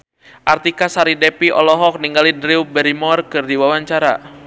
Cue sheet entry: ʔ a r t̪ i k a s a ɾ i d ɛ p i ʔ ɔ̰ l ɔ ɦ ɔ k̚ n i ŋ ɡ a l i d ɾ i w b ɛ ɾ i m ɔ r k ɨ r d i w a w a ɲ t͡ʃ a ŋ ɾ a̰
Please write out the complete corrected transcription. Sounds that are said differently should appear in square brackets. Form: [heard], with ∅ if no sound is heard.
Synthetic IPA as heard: ʔ a r t̪ i k a s a ɾ i d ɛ p i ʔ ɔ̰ l ɔ ɦ ɔ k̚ n i ŋ ɡ a l i d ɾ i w b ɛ ɾ i m ɔ r k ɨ r d i w a w a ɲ t͡ʃ a [∅] ɾ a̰